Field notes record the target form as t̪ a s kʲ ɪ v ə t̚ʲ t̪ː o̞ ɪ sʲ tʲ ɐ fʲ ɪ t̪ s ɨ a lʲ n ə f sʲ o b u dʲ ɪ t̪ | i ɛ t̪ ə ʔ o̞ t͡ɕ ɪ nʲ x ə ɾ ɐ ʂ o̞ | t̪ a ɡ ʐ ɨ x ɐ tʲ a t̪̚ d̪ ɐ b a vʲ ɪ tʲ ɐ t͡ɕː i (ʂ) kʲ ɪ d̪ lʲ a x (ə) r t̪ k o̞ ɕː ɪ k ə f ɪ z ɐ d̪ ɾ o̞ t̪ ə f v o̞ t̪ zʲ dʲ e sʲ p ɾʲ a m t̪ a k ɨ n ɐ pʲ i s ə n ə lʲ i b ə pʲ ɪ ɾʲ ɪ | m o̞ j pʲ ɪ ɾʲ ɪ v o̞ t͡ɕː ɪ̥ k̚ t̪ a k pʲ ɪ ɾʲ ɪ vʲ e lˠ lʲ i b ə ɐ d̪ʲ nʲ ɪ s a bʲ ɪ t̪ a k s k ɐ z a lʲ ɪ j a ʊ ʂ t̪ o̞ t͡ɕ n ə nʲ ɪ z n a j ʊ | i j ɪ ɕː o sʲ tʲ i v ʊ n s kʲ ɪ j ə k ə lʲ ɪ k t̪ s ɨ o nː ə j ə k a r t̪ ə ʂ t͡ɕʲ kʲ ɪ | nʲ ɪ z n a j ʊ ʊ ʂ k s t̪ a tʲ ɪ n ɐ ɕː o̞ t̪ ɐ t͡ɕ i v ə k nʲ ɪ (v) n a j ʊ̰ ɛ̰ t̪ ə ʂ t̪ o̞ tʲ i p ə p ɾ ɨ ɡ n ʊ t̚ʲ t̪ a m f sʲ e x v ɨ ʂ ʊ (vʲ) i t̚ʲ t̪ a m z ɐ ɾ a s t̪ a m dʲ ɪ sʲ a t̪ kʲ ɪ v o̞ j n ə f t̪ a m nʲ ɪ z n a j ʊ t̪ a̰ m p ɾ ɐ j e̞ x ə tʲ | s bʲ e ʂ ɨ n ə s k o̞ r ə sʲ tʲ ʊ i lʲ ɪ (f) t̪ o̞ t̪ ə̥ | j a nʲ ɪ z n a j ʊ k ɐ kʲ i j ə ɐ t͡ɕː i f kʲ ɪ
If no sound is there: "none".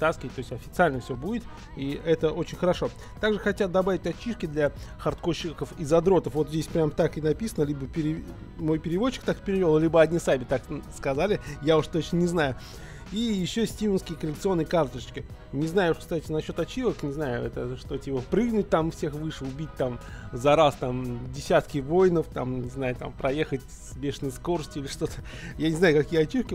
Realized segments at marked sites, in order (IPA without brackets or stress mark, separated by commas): ʂ, ɐ, z, bʲ, ʂ